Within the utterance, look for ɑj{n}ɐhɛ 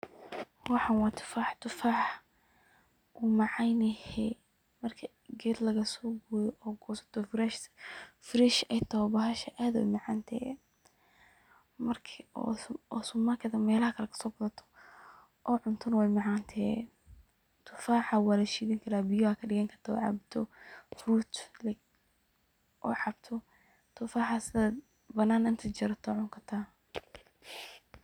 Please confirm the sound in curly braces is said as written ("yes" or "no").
yes